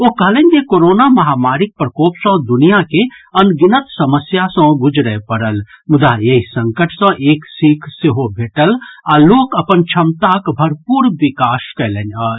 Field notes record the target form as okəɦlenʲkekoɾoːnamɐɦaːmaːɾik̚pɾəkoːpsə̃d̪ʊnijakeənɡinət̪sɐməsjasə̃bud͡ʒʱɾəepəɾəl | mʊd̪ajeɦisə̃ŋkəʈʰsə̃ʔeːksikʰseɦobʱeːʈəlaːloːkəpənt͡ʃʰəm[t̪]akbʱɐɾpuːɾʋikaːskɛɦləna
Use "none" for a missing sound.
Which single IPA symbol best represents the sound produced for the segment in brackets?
t̪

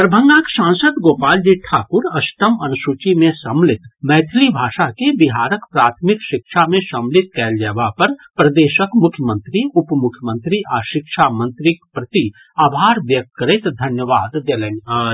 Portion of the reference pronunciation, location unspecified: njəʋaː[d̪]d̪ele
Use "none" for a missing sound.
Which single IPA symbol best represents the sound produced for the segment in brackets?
d̪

